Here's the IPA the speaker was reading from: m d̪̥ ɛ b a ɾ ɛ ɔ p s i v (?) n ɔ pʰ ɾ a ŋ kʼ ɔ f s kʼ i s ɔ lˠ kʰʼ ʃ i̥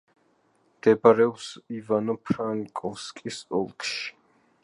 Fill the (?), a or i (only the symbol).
a